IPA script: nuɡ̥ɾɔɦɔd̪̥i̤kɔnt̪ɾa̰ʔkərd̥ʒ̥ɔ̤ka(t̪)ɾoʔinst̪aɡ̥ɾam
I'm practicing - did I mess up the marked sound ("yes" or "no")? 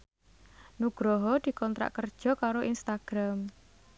yes